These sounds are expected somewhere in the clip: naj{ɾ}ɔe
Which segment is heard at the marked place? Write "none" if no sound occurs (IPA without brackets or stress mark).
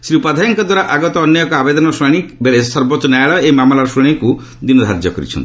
ɭ